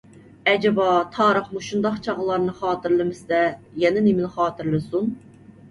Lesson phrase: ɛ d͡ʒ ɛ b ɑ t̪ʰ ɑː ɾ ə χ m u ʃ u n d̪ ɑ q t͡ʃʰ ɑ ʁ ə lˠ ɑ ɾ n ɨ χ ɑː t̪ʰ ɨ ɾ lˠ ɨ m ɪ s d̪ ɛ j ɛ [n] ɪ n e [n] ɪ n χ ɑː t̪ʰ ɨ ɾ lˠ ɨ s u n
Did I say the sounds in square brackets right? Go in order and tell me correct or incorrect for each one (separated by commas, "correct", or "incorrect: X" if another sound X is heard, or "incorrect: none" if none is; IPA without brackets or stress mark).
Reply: correct, incorrect: m